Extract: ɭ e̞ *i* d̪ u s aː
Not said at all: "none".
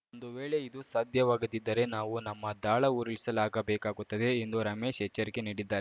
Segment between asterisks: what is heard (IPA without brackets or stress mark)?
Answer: i